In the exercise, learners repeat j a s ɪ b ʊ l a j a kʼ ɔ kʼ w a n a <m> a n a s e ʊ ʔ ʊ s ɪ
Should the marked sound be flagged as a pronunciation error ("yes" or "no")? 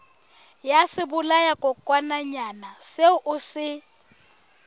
yes